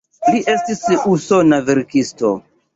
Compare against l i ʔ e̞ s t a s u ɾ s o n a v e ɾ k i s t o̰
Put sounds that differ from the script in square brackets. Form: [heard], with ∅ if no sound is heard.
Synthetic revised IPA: l i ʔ e̞ s t [i] s u [∅] s o n a v e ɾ k i s t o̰